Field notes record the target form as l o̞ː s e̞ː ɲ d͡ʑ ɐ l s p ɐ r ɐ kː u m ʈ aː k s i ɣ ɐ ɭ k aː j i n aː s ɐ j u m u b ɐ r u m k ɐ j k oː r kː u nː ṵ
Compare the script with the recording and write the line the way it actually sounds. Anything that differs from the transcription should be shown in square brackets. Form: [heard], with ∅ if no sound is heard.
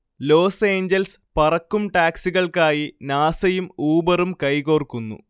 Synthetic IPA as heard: l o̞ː s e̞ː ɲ d͡ʑ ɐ l s p ɐ r ɐ kː u m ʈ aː k s i ɣ ɐ ɭ k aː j i n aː s ɐ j u m [uː] b ɐ r u m k ɐ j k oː r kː u nː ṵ